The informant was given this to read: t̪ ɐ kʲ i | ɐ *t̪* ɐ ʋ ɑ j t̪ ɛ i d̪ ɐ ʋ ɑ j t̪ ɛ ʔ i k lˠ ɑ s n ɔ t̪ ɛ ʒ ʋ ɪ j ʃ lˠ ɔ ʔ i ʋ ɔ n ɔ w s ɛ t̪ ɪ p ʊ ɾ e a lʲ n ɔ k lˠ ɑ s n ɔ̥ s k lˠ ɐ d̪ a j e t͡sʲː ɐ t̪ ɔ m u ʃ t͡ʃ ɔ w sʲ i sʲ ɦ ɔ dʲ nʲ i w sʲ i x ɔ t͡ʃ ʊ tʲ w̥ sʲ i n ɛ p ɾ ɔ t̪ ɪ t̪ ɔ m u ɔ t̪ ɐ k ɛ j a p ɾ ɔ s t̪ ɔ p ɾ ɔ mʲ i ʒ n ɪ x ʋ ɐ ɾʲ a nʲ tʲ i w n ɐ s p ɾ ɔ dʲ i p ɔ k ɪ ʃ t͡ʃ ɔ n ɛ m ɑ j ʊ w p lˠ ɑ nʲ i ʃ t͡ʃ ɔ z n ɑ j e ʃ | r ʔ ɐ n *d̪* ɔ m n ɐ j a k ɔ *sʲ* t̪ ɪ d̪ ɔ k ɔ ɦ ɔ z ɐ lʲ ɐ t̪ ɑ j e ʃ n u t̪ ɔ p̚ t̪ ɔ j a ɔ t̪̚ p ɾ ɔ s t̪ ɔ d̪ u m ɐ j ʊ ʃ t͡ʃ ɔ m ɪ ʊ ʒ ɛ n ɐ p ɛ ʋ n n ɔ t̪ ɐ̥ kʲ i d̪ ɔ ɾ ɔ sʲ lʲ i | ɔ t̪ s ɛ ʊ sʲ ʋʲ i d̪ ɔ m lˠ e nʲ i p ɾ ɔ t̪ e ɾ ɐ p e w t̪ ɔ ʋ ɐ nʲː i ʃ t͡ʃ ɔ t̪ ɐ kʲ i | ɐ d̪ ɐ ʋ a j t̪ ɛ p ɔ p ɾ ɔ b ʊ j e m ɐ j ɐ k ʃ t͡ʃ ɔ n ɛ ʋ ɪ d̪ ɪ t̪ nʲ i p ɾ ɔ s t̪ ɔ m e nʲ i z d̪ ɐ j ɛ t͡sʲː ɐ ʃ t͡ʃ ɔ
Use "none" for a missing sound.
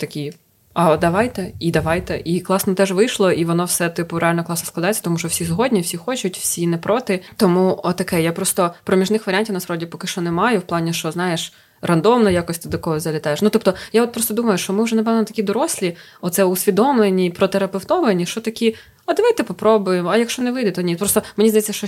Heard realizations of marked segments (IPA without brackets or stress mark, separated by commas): d̪, d̪, sʲ